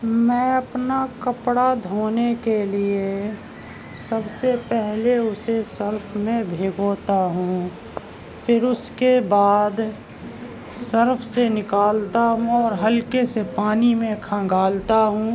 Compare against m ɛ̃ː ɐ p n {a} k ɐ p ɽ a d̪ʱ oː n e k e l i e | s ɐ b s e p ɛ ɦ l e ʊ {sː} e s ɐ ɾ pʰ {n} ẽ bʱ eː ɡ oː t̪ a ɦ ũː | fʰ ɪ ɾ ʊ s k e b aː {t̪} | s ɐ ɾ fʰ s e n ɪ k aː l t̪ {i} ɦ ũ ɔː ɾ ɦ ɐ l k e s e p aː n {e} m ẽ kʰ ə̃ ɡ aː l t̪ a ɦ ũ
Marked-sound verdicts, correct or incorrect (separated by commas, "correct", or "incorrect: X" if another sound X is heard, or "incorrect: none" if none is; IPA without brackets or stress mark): correct, incorrect: s, incorrect: m, incorrect: d̪, incorrect: a, incorrect: i